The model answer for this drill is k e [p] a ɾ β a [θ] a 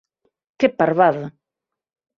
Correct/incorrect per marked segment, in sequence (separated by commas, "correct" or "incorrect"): correct, incorrect